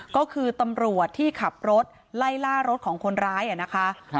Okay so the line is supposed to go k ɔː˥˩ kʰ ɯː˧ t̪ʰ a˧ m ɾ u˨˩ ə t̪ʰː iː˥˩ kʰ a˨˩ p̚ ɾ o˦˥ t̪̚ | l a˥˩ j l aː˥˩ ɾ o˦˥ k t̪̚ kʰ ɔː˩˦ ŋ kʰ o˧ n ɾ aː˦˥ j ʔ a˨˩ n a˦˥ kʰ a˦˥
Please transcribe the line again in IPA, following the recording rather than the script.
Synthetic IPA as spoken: k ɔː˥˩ kʰ ɯː˧ t̪ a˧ m ɾ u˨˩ ə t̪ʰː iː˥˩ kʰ a˨˩ p̚ ɾ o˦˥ t̪̚ | l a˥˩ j l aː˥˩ ɾ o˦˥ t̪̚ kʰ ɔː˩˦ ŋ kʰ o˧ n ɾ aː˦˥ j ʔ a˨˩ n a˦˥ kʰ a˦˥